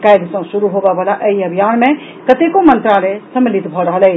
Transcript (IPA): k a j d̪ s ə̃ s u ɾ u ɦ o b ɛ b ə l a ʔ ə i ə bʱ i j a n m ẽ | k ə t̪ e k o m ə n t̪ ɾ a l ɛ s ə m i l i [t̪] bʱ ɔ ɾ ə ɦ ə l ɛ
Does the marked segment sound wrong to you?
no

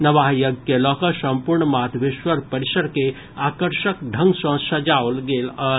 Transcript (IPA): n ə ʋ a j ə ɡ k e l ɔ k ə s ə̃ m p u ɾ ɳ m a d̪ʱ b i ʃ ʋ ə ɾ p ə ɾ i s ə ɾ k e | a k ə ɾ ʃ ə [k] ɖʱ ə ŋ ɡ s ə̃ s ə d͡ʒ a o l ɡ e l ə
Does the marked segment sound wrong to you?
no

